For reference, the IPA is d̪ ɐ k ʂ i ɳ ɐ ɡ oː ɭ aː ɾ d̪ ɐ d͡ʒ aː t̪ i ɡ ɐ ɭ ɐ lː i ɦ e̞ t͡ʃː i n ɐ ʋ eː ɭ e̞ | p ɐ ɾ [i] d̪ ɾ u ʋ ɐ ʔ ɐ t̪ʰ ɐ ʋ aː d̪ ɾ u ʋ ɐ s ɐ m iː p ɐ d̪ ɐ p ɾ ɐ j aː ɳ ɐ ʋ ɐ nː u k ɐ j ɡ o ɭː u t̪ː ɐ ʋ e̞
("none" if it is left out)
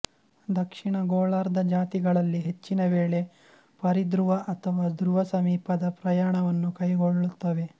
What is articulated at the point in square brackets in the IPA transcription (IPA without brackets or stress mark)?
i